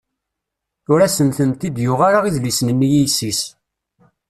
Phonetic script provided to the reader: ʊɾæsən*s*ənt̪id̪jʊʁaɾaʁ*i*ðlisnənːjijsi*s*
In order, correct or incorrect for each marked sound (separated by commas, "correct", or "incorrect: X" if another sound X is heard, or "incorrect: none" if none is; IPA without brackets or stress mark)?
incorrect: θ, correct, correct